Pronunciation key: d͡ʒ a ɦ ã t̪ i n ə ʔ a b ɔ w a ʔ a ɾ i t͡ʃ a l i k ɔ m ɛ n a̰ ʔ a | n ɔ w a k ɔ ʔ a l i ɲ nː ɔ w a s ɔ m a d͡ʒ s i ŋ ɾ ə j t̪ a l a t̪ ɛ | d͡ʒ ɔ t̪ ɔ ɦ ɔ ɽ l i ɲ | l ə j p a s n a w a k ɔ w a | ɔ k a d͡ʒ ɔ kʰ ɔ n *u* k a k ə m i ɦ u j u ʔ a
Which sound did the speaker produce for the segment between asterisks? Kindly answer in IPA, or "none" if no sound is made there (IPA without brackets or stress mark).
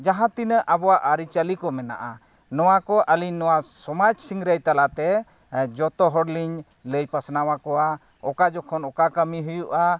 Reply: ɔ